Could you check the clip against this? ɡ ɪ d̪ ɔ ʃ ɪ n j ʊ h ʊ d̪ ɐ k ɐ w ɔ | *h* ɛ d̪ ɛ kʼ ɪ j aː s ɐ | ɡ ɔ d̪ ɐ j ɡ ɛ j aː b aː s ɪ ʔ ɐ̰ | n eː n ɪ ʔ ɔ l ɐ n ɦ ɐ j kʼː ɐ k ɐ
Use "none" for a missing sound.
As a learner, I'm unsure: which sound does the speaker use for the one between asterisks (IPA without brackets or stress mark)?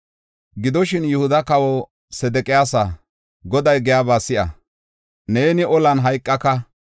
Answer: s